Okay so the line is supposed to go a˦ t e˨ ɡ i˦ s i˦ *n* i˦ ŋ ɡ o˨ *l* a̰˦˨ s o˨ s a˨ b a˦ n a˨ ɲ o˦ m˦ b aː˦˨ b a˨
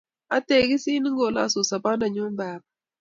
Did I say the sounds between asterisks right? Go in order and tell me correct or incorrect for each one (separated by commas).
correct, correct